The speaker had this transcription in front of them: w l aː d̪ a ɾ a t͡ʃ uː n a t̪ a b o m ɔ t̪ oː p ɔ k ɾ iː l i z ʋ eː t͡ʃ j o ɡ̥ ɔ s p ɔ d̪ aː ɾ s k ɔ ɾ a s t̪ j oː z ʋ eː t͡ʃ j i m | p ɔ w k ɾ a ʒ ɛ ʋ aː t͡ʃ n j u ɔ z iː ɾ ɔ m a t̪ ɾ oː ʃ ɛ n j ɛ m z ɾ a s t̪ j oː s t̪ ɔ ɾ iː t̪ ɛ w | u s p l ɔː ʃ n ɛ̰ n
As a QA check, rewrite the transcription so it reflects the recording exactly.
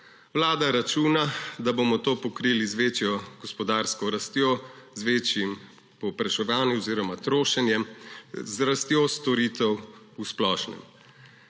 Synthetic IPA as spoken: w l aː d̪ a ɾ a t͡ʃ uː n a d̪ a b o m ɔ t̪ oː p ɔ k ɾ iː l i z ʋ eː t͡ʃ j ɔ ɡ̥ ɔ s p ɔ d̪ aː ɾ s k ɔ ɾ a s t̪ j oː z ʋ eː t͡ʃ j i m | p ɔ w p ɾ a ʃ ɛ ʋ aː n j u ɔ z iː ɾ ɔ m a t̪ ɾ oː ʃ ɛ n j ɛ m z ɾ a s t̪ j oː s t̪ ɔ ɾ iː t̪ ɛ w | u s p l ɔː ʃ n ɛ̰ m